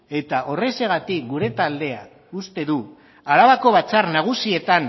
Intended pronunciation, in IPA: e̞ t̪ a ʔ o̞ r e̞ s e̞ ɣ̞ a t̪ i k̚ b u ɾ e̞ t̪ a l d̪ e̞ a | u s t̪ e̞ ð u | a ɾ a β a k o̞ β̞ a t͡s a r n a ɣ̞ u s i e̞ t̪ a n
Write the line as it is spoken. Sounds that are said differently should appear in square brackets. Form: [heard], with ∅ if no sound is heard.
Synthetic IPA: e̞ t̪ a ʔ o̞ r e̞ s e̞ ɣ̞ a t̪ i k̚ [ɡ] u ɾ e̞ t̪ a l d̪ e̞ a | u s t̪ e̞ ð u | a ɾ a β a k o̞ β̞ a t͡s a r n a ɣ̞ u s i e̞ t̪ a n